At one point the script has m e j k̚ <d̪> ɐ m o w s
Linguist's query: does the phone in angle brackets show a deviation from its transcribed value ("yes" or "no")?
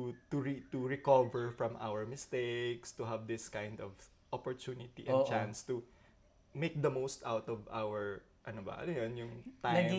no